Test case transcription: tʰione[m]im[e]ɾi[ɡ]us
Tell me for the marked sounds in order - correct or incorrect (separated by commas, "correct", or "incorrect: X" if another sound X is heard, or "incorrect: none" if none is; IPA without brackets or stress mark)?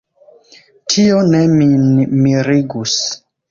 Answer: correct, incorrect: i, correct